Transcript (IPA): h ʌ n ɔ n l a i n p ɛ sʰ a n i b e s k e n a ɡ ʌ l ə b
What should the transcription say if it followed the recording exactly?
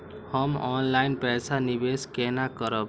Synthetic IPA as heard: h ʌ m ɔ n l a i n p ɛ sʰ a n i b e s k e n a k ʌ ɾ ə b